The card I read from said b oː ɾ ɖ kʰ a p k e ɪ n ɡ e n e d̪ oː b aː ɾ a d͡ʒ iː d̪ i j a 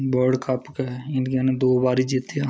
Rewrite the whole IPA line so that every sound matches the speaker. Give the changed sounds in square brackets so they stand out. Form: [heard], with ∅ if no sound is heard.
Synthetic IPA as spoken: b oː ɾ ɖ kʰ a p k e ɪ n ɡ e n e d̪ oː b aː ɾ [i] d͡ʒ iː [t̪] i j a